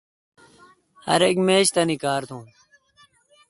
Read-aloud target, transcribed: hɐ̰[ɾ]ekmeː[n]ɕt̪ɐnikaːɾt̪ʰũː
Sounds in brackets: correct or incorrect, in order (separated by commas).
correct, incorrect